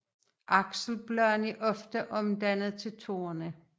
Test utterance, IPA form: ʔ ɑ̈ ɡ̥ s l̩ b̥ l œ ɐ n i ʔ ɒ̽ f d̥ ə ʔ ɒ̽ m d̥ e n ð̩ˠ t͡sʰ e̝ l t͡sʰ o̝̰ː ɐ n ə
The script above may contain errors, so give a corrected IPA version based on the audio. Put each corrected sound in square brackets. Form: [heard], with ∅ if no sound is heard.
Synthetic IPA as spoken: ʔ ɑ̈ ɡ̥ s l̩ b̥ l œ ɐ n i ʔ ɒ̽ f d̥ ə ʔ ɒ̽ m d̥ [æ] n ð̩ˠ t͡sʰ e̝ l t͡sʰ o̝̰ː ɐ n ə